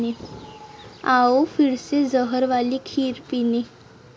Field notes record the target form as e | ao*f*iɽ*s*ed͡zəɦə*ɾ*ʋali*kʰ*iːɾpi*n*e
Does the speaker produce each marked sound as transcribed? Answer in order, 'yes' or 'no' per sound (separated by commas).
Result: yes, yes, yes, yes, yes